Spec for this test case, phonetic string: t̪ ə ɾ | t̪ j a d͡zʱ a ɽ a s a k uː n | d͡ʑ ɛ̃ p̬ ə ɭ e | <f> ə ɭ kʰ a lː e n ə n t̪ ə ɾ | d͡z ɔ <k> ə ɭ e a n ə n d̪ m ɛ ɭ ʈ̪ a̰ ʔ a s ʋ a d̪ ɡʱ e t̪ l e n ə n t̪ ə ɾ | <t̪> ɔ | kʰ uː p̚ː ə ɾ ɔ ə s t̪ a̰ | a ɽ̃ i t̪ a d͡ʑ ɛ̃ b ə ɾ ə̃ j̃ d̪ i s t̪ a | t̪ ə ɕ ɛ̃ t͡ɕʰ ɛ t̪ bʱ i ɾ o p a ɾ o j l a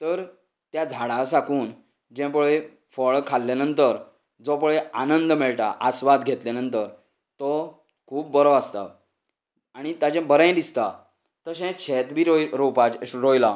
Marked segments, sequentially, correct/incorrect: correct, incorrect: p, correct

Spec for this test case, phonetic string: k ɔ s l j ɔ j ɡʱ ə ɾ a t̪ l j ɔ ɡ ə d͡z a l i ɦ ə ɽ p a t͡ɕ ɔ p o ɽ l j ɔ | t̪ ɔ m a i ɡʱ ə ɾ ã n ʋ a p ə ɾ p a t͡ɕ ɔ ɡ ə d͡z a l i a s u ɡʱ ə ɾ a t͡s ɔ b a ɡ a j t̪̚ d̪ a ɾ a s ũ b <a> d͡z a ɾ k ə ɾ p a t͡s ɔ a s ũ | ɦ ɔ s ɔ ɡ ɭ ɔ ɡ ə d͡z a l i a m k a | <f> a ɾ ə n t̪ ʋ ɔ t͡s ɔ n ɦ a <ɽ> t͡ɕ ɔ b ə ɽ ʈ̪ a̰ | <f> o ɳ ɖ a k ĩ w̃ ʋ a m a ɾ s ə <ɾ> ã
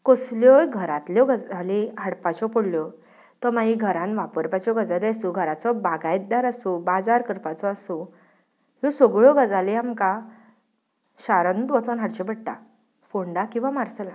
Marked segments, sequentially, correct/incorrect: correct, incorrect: ɕ, correct, correct, incorrect: l

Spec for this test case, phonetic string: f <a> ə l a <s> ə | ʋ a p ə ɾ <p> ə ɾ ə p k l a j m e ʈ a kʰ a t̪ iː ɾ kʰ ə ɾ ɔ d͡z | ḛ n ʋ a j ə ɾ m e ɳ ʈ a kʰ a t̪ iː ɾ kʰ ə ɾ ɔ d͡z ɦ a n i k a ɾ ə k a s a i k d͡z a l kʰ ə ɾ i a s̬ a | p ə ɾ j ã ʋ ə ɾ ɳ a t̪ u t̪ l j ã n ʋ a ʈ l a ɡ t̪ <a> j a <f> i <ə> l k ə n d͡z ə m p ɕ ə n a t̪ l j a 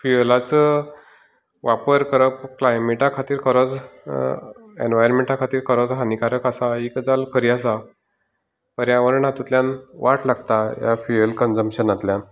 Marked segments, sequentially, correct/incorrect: incorrect: i, incorrect: t͡s, incorrect: k, correct, correct, correct

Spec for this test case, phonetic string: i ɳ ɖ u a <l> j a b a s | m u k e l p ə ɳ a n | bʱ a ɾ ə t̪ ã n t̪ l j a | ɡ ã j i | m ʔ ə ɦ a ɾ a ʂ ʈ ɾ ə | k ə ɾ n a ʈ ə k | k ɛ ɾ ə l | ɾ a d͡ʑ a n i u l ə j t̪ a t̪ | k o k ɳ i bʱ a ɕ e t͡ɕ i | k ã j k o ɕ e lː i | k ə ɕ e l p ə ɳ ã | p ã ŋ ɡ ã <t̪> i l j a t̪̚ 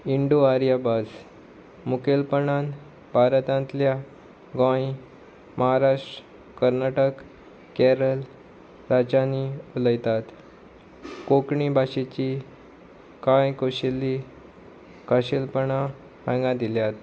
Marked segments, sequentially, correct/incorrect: incorrect: ɾ, incorrect: d̪

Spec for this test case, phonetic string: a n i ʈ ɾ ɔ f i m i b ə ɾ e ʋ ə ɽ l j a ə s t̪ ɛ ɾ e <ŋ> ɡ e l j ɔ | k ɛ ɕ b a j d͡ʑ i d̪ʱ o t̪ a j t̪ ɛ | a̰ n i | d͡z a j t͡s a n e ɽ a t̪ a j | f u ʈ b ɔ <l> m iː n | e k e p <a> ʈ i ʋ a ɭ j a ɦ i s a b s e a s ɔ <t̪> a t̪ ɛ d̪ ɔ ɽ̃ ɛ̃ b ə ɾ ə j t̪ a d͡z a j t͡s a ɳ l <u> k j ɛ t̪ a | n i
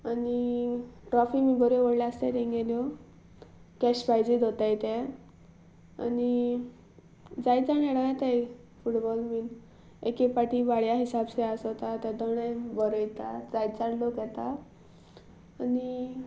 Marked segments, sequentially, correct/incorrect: correct, correct, correct, correct, incorrect: o

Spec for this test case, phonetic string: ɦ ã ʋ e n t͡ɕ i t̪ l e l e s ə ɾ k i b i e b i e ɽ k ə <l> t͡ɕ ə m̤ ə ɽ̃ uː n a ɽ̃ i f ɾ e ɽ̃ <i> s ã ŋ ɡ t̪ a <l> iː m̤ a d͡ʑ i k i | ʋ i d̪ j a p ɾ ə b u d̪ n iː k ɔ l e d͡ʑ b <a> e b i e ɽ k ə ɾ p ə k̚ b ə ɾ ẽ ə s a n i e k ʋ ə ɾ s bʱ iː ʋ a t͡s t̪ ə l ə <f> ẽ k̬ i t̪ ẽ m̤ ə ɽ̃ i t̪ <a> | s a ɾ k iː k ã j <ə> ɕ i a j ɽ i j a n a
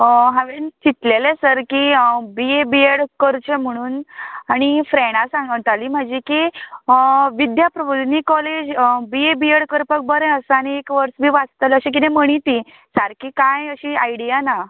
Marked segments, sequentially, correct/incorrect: incorrect: ɾ, incorrect: a, correct, incorrect: i, incorrect: ɕ, incorrect: i, correct

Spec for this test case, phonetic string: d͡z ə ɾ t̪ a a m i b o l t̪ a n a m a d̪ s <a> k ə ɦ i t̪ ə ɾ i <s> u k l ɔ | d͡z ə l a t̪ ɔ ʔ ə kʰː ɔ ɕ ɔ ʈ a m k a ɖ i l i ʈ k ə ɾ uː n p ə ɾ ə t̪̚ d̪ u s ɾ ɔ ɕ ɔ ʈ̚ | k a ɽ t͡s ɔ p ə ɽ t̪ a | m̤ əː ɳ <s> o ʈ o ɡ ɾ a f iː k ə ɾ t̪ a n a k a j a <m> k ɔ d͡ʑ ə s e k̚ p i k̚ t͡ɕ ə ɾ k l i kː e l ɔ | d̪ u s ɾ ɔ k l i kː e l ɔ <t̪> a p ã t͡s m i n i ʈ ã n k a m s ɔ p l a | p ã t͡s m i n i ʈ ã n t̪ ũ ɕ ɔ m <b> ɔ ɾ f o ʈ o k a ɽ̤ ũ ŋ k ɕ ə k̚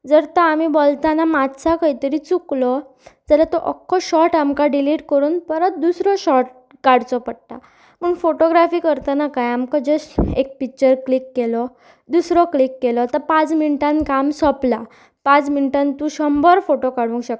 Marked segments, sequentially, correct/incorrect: correct, incorrect: t͡s, incorrect: f, correct, correct, correct

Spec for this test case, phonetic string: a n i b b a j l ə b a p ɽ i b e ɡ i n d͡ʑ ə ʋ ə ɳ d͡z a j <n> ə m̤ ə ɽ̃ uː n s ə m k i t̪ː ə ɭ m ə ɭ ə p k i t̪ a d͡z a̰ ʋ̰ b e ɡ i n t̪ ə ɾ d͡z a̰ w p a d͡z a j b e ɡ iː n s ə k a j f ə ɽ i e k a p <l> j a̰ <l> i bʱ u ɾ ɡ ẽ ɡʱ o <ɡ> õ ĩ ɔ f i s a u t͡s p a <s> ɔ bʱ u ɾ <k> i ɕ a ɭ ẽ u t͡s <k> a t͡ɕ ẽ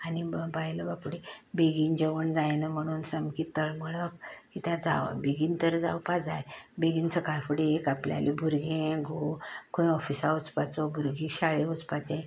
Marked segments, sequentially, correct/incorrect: correct, correct, correct, incorrect: k, incorrect: t͡s, incorrect: ɡ, incorrect: p

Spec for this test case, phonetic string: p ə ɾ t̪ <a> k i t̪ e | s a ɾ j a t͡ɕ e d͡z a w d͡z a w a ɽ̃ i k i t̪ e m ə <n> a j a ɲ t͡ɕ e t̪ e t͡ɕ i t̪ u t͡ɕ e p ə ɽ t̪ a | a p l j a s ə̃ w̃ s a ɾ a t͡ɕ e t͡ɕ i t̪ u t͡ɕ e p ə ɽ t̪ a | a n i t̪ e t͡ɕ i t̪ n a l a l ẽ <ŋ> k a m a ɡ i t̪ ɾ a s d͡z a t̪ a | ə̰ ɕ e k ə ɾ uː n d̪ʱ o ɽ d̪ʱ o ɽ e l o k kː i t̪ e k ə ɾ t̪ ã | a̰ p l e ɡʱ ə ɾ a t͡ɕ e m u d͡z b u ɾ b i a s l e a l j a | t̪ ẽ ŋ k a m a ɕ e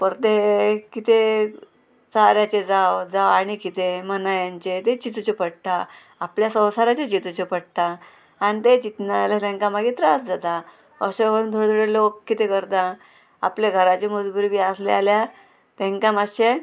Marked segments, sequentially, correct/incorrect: incorrect: e, correct, correct

